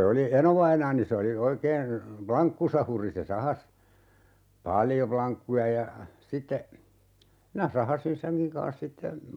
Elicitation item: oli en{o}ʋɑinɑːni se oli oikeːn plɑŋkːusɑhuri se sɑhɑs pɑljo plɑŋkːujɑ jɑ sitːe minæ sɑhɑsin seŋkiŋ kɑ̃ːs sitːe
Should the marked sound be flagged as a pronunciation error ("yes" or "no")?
no